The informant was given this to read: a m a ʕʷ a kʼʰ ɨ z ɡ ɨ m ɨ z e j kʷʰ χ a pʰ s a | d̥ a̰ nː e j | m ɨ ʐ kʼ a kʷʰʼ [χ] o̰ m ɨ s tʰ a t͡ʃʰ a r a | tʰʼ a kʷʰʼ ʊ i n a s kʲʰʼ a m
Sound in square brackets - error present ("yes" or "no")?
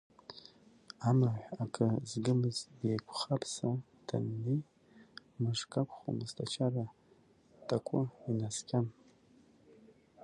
no